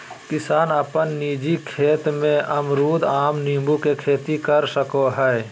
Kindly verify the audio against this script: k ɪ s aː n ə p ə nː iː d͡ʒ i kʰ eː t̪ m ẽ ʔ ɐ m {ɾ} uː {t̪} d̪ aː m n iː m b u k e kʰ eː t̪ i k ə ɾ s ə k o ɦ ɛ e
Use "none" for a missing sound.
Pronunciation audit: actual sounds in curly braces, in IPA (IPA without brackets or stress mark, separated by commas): ɾ, none